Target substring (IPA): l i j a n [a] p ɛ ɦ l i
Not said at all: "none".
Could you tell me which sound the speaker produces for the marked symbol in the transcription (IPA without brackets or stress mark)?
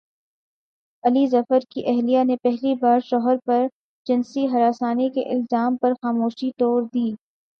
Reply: e